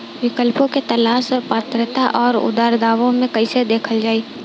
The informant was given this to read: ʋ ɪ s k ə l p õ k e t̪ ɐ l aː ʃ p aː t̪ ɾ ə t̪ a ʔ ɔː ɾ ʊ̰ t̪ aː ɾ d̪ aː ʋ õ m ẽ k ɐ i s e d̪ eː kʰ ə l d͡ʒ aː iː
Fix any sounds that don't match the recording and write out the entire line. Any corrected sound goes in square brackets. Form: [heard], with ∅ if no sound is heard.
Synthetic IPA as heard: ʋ ɪ [∅] k ə l p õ k e t̪ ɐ l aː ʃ p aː t̪ ɾ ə t̪ a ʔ ɔː ɾ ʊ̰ [d̪] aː ɾ d̪ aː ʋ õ m ẽ k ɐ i s e d̪ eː kʰ ə l d͡ʒ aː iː